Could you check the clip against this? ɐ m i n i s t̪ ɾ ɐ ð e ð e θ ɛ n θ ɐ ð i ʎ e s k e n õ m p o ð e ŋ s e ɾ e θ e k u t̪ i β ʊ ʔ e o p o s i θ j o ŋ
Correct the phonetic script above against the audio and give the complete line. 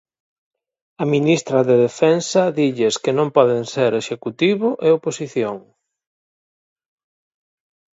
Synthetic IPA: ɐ m i n i s t̪ ɾ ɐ ð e ð e f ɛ n s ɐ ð i ʎ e s k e n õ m p ɔ ð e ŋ s e ɾ e ʃ e k u t̪ i β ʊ ʔ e o p o s i θ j o ŋ